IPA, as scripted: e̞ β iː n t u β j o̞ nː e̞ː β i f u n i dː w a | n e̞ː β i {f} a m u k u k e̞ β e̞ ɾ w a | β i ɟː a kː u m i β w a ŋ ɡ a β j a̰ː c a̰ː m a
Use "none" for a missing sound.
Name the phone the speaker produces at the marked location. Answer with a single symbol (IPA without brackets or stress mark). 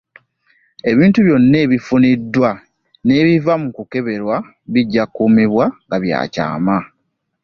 v